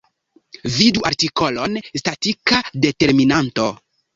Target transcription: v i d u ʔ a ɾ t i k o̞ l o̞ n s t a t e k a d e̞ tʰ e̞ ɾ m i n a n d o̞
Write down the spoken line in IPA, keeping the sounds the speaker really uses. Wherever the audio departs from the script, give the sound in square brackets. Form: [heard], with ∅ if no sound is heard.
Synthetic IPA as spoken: v i d u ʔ a ɾ t i k o̞ l o̞ n s t a t [i] k a d e̞ [t] e̞ ɾ m i n a n [t] o̞